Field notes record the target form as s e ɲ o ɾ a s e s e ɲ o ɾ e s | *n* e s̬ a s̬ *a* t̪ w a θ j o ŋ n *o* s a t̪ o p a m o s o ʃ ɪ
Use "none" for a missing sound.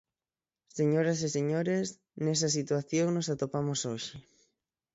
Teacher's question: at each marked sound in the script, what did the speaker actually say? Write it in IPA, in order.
n, i, o

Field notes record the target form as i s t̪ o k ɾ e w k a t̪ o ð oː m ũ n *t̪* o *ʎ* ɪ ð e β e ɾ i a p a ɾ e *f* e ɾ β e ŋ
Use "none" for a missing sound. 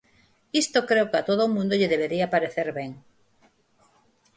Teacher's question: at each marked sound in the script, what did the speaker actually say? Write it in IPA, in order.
d̪, ʎ, θ

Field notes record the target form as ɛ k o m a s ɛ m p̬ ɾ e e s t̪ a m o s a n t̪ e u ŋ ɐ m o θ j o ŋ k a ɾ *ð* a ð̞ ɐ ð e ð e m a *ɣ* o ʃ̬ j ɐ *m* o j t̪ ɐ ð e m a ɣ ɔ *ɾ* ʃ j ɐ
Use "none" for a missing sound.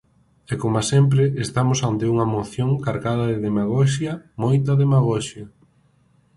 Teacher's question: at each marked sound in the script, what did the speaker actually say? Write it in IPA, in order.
ɣ, ɣ, m, none

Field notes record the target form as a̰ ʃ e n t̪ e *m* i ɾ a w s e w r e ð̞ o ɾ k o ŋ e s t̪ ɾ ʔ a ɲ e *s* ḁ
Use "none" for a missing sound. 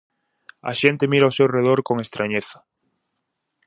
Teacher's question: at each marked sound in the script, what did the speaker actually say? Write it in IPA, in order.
m, θ

